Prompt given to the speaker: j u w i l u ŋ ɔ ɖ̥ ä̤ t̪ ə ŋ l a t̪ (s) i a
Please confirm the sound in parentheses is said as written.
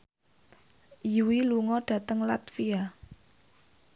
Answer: no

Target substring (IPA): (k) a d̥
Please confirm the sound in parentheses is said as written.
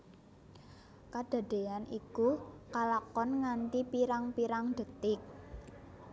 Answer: yes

